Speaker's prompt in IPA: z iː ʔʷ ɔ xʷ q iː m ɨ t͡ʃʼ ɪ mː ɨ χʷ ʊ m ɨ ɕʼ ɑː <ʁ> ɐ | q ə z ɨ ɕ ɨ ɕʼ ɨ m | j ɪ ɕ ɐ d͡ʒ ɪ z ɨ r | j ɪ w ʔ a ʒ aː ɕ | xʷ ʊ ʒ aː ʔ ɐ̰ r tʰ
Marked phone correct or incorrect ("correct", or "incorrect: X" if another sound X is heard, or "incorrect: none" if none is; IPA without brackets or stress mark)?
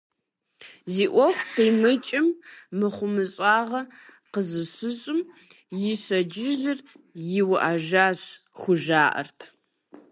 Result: correct